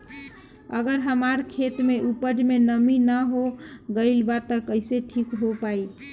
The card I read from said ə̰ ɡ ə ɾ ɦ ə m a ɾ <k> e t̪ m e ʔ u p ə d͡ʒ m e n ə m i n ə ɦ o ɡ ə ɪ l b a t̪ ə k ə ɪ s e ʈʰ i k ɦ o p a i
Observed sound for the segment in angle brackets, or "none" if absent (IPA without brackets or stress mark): kʰ